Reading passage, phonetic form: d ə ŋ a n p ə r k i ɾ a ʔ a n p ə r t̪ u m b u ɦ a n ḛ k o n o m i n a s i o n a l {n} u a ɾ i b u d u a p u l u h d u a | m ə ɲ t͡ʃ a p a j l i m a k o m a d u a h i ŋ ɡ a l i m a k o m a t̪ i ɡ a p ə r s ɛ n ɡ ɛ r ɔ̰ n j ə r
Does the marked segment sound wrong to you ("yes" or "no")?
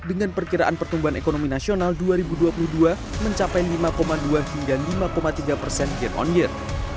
yes